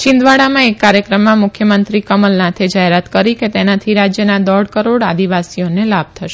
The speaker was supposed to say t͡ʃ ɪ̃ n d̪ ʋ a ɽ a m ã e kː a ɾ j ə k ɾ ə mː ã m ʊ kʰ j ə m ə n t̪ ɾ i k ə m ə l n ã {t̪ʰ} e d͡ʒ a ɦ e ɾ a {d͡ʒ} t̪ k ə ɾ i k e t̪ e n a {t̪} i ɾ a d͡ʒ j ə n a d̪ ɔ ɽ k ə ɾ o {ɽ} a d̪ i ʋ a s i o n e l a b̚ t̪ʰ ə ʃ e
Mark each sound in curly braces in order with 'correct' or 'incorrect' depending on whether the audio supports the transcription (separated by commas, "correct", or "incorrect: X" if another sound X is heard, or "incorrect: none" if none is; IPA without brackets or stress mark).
correct, incorrect: none, incorrect: t̪ʰ, correct